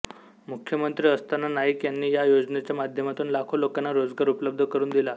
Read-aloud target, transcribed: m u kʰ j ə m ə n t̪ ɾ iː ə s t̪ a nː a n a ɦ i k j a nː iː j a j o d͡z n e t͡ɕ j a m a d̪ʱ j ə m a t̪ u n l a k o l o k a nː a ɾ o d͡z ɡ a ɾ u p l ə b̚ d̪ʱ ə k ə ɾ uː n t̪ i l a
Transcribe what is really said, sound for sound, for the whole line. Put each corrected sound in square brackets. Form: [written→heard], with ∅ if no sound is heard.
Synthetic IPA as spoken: m u kʰ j ə m ə n t̪ ɾ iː ə s t̪ a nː a n a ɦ i k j a nː iː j a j o d͡z n e t͡ɕ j a m a d̪ʱ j ə m a t̪ [u→uː] n l a [k→kʰ] o l o k a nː a ɾ o d͡z ɡ a ɾ u p l ə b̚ d̪ʱ ə k ə ɾ uː n [t̪→d̪] i l a